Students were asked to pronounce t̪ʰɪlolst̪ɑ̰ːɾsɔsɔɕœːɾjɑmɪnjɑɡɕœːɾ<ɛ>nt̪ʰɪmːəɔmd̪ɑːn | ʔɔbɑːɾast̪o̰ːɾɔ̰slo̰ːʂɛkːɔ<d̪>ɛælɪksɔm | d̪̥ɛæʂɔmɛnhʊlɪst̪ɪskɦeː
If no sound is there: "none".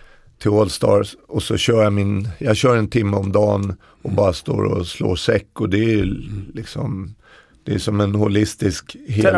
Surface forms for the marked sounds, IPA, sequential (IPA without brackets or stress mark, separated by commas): ɛ, d̪